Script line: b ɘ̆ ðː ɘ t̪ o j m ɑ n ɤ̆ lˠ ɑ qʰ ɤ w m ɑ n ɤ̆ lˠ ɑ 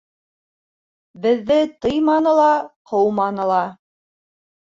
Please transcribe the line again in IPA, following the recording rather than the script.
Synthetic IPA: b ɘ̆ ðː ɘ t̪ ɤ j m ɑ n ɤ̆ lˠ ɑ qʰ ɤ w m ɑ n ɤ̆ lˠ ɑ